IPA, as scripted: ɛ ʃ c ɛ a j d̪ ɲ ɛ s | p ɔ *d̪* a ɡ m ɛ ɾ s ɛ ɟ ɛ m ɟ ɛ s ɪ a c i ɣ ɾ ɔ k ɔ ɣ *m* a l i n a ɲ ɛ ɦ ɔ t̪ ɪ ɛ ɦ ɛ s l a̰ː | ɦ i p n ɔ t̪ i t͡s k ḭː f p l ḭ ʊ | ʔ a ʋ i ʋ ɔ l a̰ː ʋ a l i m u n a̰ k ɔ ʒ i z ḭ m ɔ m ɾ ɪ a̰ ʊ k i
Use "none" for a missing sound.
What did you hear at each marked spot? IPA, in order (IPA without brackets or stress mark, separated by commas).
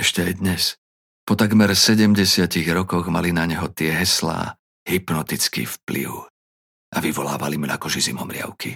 t̪, m